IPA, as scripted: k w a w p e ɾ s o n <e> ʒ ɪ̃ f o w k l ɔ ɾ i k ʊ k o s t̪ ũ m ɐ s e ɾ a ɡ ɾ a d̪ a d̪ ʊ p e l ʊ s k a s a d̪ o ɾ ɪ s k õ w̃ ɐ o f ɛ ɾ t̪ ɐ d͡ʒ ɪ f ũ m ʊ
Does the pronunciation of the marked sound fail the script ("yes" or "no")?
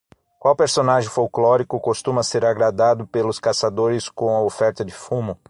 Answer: yes